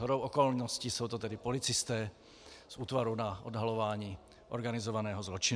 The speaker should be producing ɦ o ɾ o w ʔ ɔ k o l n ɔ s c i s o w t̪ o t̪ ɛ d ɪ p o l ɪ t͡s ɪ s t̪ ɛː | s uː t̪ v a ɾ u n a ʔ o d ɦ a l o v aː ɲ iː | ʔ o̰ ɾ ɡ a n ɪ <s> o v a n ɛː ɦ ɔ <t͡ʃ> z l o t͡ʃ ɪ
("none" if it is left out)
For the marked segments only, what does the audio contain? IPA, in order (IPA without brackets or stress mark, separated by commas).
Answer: z, none